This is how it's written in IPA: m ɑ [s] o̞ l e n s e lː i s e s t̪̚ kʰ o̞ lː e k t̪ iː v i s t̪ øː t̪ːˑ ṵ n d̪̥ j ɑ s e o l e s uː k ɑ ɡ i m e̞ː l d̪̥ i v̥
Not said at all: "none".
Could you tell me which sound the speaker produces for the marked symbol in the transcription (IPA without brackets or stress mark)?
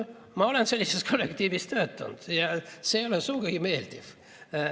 none